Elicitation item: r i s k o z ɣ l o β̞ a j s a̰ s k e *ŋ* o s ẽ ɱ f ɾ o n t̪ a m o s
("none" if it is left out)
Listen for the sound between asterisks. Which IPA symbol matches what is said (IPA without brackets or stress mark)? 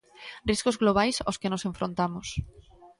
n